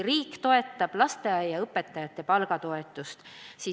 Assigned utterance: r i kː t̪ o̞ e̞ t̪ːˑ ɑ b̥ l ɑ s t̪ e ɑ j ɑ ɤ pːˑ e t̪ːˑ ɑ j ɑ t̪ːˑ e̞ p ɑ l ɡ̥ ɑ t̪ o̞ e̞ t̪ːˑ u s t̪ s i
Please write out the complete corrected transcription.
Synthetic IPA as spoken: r iː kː t̪ o̞ e̞ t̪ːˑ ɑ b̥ l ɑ s t̪ e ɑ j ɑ ɤ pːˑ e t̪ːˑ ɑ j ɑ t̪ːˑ e̞ p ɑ l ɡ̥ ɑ t̪ o̞ e̞ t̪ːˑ u s t̪ s i